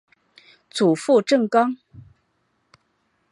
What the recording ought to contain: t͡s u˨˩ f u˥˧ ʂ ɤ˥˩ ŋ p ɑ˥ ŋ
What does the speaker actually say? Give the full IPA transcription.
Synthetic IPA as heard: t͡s u˨˩ f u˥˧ ʈ͡ʂ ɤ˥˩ ŋ k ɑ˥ ŋ